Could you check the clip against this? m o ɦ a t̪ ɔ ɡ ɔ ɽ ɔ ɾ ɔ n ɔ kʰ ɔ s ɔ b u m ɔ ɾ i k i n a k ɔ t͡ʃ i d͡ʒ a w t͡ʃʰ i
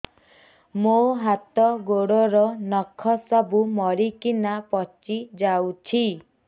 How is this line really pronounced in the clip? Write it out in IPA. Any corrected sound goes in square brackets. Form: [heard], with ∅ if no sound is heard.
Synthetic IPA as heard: m o ɦ a t̪ ɔ ɡ [o] ɽ ɔ ɾ ɔ n ɔ kʰ ɔ s ɔ b u m ɔ ɾ i k i n a [p] ɔ t͡ʃ i d͡ʒ a w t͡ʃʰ i